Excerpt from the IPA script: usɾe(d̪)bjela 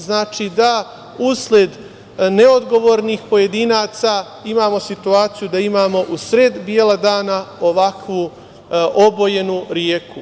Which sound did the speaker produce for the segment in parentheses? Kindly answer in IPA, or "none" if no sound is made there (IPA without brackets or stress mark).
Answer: d̪